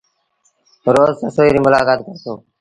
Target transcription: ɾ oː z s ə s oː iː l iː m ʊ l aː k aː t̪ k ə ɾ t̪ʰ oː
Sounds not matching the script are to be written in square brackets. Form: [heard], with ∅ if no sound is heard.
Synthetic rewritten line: ɾ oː z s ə s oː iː [ɾ] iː m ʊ l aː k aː t̪ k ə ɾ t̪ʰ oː